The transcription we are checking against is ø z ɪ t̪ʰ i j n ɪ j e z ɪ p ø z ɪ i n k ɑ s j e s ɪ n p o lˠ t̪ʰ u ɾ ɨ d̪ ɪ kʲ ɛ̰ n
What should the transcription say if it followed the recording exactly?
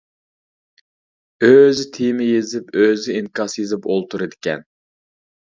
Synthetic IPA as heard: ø z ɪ t̪ʰ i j m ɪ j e z ɪ p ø z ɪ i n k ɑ s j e z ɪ p o lˠ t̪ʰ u ɾ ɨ d̪ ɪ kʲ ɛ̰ n